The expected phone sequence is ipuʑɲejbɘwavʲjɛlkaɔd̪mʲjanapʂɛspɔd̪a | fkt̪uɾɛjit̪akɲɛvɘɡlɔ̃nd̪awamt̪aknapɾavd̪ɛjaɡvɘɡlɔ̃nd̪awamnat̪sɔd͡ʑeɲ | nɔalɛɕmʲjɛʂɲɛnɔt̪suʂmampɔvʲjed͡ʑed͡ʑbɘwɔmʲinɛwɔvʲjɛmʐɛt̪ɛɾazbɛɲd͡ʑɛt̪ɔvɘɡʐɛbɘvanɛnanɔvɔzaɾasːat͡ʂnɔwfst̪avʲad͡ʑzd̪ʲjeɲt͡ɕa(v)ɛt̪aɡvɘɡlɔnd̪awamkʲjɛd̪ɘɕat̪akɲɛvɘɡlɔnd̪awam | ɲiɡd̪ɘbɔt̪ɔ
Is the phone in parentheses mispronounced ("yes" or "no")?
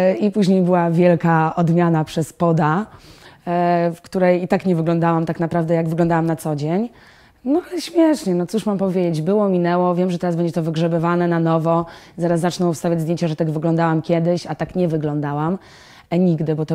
yes